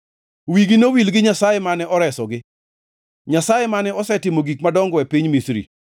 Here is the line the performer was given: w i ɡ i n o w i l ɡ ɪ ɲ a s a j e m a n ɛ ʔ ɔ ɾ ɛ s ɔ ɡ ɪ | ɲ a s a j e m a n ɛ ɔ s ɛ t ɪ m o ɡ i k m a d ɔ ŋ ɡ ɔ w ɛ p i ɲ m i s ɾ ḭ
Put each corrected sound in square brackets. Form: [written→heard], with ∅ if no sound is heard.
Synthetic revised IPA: w i ɡ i n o w i l ɡ ɪ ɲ a s a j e m a n ɛ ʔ ɔ ɾ ɛ s ɔ ɡ ɪ | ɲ a s a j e m a n ɛ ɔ s ɛ t ɪ m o ɡ i k m a d ɔ ŋ ɡ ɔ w ɛ p i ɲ m i s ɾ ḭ